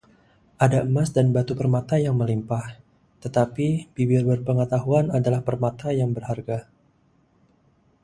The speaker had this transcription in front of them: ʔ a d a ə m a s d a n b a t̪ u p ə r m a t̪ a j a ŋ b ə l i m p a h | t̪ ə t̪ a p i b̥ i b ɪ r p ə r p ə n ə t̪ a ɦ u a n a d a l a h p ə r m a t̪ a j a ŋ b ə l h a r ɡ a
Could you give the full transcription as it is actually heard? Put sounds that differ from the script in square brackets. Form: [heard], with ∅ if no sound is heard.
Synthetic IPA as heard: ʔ a d a ə m a s d a n b a t̪ u p ə r m a t̪ a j a ŋ [m] ə l i m p a h | t̪ ə t̪ a p i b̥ i b ɪ r [b] ə r p ə [ŋ] ə t̪ a ɦ u a n a d a l a h p ə r m a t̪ a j a ŋ b ə [r] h a r ɡ a

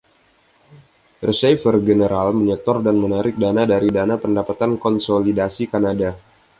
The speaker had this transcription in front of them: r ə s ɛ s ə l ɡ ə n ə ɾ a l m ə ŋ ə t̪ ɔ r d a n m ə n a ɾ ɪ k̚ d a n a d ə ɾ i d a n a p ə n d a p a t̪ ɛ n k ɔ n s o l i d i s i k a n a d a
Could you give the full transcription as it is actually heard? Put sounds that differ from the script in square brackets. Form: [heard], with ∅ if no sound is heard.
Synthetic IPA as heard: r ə s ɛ [f] ə [r] ɡ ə n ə ɾ a l m ə [ɲ] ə t̪ ɔ r d a n m ə n a ɾ ɪ k̚ d a n a d [a] ɾ i d a n a p ə n d a p a t̪ [a] n k ɔ n s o l i d [a] s i k a n a d a

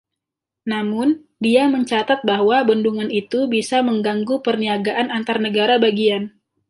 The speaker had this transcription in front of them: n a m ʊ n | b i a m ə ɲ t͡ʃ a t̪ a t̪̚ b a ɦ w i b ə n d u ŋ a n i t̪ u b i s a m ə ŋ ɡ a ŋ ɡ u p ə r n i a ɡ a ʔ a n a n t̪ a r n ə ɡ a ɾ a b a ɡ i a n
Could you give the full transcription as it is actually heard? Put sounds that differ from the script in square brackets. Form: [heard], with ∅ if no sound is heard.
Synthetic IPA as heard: n a m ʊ n | [d] i a m ə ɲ t͡ʃ a t̪ a t̪̚ b a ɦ w [a] b ə n d u ŋ a n i t̪ u b i s a m ə ŋ ɡ a ŋ ɡ u p ə r n i a ɡ a ʔ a n a n t̪ a r n ə ɡ a ɾ a b a ɡ i a n

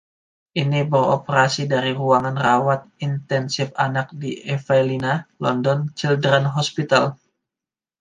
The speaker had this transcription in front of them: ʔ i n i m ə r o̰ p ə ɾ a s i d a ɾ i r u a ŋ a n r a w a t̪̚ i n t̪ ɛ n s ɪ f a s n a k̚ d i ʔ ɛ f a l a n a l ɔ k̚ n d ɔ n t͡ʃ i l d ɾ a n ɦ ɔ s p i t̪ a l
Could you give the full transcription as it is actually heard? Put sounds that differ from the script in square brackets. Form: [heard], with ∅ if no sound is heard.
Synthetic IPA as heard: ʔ i n i [b] ə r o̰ p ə ɾ a s i d a ɾ i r u a ŋ a n r a w a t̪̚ i n t̪ ɛ n s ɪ f a [∅] n a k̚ d i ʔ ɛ f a l [i] n a l ɔ [∅] n d ɔ n t͡ʃ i l d ɾ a n ɦ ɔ s p i t̪ a l

